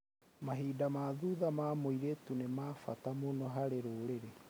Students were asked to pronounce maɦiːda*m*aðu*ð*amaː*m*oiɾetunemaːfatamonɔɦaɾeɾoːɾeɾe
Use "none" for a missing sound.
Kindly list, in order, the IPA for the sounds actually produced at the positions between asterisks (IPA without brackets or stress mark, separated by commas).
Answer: m, ð, m